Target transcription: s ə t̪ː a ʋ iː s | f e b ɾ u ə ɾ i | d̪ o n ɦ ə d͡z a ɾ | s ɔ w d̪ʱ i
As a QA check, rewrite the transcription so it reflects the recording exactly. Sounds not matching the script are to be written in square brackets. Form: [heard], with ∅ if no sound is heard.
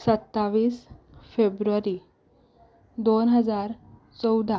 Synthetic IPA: s ə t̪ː a ʋ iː s | f e b ɾ u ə ɾ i | d̪ o n ɦ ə d͡z a ɾ | [t͡s] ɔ w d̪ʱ [a]